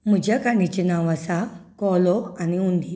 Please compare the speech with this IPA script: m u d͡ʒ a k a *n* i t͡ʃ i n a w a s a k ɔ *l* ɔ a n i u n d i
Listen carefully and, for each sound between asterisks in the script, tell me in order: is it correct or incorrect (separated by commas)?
correct, correct